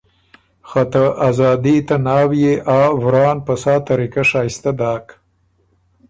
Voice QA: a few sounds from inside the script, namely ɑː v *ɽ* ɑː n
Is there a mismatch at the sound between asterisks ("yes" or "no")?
yes